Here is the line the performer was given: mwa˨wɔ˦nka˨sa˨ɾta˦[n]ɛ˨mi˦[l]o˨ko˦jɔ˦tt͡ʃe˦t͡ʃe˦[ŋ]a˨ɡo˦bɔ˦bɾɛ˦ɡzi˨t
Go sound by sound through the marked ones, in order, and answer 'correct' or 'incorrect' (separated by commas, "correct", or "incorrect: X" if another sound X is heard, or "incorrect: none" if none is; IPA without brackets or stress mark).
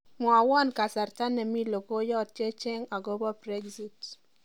correct, correct, correct